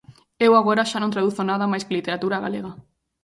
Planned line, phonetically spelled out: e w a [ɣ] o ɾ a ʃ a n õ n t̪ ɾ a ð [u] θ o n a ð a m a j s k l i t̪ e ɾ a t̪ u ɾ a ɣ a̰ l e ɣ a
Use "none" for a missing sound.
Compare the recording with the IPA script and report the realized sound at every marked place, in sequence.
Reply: ɣ, u

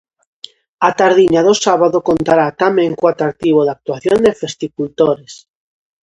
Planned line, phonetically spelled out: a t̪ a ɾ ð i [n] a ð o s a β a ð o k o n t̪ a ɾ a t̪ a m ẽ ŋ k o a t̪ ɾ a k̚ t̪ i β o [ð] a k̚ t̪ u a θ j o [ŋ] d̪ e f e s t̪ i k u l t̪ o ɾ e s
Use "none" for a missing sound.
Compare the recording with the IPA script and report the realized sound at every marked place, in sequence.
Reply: ɲ, ð, n

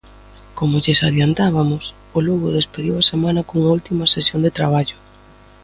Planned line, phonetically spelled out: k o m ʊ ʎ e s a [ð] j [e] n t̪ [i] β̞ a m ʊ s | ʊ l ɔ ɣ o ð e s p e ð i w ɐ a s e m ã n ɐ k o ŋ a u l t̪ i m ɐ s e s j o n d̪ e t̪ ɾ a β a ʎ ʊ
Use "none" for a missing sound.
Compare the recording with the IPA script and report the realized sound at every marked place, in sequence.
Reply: ð, a, a

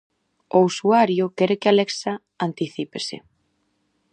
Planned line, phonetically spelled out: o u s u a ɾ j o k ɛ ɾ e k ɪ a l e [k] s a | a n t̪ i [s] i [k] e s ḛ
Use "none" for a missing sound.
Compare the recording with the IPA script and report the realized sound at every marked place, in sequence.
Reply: k, θ, p

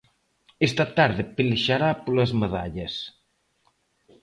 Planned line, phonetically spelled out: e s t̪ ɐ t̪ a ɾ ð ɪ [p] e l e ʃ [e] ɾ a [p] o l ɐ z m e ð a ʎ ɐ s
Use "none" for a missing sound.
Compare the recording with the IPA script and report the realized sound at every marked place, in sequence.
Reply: p, a, p

